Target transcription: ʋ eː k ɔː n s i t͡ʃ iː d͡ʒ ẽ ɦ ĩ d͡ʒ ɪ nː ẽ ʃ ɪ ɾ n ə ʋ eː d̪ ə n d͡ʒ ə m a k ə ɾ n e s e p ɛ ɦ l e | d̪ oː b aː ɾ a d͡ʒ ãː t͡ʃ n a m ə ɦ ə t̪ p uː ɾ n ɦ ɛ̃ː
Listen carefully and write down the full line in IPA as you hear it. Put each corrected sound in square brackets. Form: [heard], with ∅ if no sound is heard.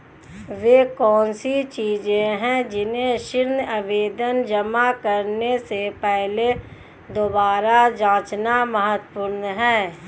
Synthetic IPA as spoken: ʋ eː k ɔː n s i t͡ʃ iː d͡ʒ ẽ ɦ [ɛ̃] d͡ʒ ɪ [n] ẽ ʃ ɪ ɾ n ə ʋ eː d̪ ə n d͡ʒ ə m a k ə ɾ n e s e p ɛ ɦ l e | d̪ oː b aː ɾ a d͡ʒ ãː t͡ʃ n a m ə ɦ ə t̪ p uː ɾ n ɦ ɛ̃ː